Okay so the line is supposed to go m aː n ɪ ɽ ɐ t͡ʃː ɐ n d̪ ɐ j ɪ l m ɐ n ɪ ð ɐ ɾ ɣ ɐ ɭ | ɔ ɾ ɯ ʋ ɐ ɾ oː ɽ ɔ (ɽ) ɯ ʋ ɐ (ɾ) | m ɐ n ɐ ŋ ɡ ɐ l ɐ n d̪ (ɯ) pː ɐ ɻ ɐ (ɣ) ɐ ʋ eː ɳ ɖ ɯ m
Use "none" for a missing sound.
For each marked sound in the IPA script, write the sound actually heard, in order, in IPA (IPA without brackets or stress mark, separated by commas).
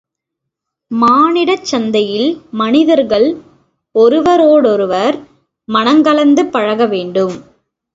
ɾ, ɾ, ɯ, ɣ